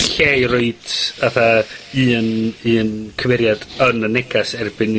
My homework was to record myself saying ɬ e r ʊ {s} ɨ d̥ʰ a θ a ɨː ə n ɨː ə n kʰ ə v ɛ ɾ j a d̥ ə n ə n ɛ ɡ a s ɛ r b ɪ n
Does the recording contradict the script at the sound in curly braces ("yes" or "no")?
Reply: yes